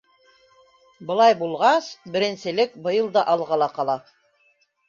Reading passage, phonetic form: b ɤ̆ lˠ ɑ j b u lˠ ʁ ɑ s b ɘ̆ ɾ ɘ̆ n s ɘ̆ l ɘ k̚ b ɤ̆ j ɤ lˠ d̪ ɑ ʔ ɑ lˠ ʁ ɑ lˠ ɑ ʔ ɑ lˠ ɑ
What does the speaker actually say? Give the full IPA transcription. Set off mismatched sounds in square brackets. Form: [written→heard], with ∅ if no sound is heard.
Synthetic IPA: b ɤ̆ lˠ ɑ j b u lˠ ʁ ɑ s b ɘ̆ ɾ ɘ̆ n s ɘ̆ l ɘ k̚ b ɤ̆ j ɤ lˠ d̪ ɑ ʔ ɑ lˠ ʁ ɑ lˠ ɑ [ʔ→q] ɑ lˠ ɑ